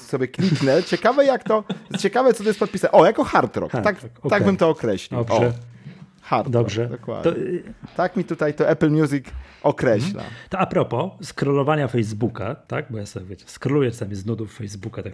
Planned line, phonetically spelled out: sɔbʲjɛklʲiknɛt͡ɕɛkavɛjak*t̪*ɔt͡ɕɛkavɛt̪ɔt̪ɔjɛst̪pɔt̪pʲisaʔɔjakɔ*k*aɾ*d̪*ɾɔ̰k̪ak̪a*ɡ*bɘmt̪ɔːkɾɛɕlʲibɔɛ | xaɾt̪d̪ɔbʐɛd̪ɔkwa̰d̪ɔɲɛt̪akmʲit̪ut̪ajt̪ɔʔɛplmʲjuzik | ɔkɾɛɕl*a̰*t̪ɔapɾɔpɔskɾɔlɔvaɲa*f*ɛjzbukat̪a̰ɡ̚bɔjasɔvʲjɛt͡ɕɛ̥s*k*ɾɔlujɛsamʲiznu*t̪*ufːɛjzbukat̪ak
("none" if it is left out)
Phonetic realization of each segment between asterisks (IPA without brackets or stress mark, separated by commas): t̪, x, t̪, ɡ, a̰, f, k, d̪